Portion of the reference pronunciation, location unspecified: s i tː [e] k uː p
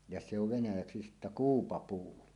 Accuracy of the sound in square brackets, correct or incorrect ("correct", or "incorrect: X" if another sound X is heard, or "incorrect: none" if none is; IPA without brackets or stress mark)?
incorrect: æ